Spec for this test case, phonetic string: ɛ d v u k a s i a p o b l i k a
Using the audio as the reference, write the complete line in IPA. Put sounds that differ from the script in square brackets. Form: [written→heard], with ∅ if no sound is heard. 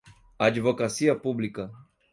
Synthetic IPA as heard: [ɛ→a] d v [u→ɔ] k a s i a p [o→u] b l i k a